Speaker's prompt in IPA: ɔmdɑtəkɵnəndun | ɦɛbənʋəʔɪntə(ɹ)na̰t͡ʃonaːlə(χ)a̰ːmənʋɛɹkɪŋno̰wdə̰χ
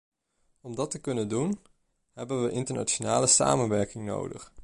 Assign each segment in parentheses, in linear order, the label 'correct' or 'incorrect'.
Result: correct, incorrect: s

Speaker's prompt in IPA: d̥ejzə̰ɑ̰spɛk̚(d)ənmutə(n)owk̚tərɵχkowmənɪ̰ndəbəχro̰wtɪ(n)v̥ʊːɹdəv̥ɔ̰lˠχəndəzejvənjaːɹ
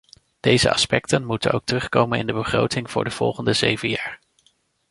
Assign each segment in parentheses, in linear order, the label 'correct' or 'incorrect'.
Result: incorrect: t, correct, incorrect: ŋ

